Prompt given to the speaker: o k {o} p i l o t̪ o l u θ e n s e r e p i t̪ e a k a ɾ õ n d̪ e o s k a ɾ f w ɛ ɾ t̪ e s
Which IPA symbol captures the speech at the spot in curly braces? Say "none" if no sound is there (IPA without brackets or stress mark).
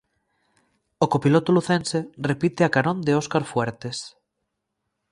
o